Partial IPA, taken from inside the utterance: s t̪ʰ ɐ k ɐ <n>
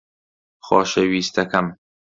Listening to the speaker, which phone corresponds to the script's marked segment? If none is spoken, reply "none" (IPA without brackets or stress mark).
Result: m